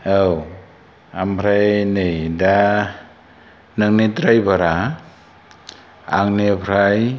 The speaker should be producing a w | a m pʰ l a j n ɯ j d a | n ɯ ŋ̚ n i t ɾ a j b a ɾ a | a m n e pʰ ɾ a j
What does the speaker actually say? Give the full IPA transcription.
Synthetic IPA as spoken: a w | a m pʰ ɾ a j n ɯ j d a | n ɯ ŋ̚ n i t ɾ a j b a ɾ a | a ŋ n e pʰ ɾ a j